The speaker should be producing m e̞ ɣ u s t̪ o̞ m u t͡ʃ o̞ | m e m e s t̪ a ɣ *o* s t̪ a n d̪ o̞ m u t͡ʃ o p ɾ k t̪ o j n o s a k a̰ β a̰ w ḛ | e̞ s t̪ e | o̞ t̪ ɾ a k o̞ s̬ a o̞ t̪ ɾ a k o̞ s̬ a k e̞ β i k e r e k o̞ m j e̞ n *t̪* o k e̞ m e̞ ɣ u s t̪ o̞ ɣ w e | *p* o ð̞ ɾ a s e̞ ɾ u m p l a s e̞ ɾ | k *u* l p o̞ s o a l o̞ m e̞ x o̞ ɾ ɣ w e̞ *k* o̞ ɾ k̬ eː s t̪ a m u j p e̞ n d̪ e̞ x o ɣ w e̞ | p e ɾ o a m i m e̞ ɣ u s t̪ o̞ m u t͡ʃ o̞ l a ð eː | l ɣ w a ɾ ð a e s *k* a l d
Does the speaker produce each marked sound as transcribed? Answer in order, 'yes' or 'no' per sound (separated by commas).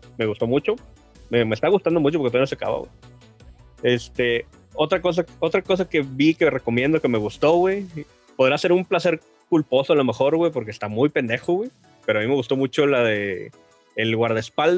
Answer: no, no, yes, yes, no, no